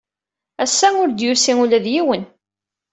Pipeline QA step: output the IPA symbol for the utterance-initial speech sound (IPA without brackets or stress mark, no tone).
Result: æ